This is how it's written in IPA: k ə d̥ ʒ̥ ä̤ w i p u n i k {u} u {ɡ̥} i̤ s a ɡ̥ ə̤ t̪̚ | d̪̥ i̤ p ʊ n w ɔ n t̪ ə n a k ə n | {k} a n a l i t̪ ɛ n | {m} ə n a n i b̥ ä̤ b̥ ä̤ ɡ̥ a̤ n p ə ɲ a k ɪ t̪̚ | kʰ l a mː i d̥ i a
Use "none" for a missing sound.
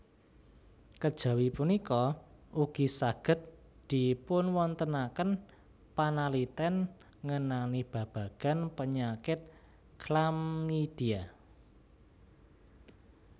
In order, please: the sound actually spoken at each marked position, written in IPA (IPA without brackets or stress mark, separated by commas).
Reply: ɔ, ɡ̥, p, ŋ